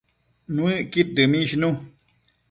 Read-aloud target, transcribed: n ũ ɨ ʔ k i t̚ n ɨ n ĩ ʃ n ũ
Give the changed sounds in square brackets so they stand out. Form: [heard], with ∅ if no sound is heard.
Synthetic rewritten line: n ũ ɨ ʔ k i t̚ [d] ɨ [m] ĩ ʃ n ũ